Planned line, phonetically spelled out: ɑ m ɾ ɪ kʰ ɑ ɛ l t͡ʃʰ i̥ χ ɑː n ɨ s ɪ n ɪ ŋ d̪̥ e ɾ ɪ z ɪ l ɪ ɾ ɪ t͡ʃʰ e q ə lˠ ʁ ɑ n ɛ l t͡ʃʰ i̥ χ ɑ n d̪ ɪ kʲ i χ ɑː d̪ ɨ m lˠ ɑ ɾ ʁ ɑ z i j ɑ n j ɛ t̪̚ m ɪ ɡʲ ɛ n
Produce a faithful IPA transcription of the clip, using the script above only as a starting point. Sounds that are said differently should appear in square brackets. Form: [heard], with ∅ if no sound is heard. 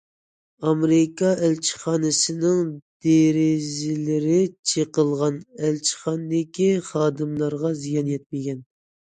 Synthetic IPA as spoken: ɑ m ɾ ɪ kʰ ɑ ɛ l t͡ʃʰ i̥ χ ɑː n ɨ s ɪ n ɪ ŋ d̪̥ e ɾ ɪ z ɪ l ɪ ɾ ɪ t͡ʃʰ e q ə lˠ ʁ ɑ n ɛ l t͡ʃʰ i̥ χ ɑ n d̪ ɪ kʲ i χ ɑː d̪ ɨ m lˠ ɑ ɾ ʁ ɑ z i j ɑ n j ɛ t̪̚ m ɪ ɡʲ ɛ n